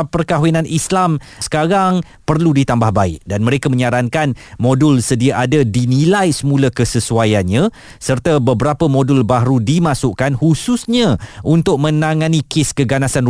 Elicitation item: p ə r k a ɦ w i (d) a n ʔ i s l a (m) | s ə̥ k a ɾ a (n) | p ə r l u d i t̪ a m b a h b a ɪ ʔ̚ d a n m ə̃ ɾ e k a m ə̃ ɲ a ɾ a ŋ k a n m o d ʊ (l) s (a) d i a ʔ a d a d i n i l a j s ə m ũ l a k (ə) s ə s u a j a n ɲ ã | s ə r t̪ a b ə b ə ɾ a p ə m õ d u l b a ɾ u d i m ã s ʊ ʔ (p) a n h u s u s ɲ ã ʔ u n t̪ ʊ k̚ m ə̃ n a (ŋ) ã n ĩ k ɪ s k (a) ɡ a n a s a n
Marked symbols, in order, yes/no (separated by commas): no, yes, no, yes, no, yes, no, yes, no